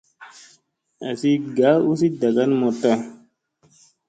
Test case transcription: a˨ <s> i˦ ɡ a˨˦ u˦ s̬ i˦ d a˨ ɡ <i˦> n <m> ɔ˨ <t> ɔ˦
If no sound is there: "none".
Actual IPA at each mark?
s, a˦, m, t

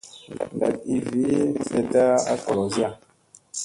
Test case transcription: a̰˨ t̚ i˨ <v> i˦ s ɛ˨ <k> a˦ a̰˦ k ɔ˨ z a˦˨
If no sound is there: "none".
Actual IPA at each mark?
v, t

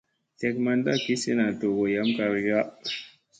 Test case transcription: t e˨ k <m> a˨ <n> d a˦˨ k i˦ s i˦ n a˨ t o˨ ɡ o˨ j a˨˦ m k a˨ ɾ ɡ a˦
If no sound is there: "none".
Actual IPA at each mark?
m, n

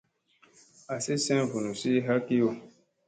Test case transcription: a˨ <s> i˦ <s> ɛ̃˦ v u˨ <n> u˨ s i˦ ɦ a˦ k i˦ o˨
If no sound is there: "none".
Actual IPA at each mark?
s, s, n

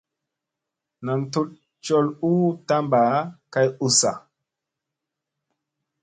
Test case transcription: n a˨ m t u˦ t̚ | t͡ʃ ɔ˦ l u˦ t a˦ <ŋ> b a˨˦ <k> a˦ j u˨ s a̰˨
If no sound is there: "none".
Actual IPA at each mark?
m, k

